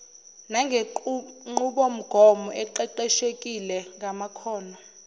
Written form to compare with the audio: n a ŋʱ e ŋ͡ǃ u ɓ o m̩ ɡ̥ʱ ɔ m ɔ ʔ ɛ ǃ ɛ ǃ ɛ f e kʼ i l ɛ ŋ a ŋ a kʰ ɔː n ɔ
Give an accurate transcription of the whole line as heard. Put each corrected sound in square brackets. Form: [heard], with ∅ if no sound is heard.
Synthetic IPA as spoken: n a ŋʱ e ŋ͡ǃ u ɓ o m̩ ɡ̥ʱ ɔ m ɔ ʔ ɛ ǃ ɛ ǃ ɛ [ʃ] e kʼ i l ɛ ŋ a [m] a kʰ ɔː n ɔ